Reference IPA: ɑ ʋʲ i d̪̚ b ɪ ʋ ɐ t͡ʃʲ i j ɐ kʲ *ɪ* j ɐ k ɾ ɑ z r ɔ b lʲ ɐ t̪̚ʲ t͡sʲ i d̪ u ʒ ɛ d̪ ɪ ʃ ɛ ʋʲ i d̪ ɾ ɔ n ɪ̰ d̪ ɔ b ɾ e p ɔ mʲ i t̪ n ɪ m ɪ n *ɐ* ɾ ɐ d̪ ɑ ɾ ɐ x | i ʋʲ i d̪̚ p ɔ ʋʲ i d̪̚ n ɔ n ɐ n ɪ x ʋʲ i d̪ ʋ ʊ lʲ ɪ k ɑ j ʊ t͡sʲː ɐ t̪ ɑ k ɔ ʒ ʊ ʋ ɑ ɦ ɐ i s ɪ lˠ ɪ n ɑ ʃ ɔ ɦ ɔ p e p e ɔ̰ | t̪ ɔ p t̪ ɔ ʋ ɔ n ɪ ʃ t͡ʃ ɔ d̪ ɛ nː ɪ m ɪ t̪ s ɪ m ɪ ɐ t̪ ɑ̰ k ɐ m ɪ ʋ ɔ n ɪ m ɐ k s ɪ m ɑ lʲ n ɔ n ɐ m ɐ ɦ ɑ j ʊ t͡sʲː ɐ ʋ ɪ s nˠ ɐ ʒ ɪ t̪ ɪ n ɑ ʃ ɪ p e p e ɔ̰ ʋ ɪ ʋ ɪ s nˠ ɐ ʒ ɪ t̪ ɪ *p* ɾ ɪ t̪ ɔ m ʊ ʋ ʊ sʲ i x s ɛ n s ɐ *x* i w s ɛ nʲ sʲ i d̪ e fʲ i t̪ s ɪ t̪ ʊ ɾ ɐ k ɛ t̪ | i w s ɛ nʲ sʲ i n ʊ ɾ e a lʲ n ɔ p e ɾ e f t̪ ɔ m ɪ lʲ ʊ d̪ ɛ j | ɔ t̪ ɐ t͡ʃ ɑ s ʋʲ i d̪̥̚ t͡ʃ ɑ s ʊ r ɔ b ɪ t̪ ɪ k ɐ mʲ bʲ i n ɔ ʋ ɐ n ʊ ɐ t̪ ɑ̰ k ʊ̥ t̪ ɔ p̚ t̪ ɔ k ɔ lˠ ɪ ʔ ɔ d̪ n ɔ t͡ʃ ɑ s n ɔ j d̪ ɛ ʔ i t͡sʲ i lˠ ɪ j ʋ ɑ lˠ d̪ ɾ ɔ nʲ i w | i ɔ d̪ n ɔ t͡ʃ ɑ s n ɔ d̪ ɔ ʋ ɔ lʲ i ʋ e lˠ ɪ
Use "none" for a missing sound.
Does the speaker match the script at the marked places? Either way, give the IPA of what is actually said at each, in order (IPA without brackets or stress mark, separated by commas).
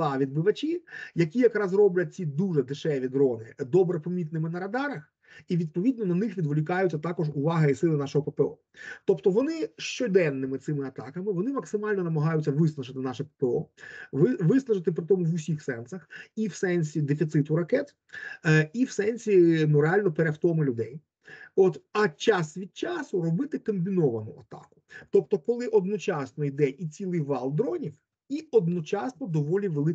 i, ɐ, p, x